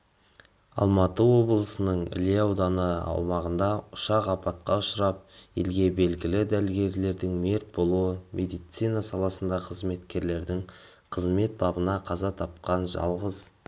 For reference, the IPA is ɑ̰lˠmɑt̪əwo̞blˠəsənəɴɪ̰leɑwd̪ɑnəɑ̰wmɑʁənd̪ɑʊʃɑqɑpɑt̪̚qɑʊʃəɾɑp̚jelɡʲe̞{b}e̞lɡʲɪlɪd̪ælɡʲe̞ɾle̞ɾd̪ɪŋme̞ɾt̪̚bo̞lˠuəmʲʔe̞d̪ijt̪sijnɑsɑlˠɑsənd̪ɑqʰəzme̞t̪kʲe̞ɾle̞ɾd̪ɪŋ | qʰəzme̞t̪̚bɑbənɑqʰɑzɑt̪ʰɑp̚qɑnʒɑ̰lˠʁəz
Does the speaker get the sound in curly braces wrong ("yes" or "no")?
no